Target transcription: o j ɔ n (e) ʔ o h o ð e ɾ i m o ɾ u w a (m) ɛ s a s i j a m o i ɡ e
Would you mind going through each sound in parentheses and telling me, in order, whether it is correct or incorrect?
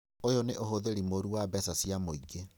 correct, incorrect

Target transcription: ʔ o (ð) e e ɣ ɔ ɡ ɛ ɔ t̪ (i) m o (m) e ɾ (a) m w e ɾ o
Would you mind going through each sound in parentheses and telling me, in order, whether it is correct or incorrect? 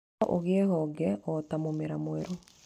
incorrect, incorrect, correct, correct

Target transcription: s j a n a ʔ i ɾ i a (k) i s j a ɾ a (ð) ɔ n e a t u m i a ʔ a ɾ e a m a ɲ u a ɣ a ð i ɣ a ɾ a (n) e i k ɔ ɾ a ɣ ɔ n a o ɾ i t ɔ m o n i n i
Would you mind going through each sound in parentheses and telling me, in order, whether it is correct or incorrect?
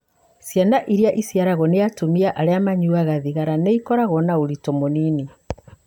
incorrect, incorrect, correct

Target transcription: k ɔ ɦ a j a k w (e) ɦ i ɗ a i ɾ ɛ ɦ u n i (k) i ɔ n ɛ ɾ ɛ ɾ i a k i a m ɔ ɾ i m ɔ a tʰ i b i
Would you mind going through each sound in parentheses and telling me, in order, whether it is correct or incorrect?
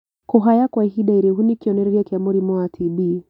incorrect, correct

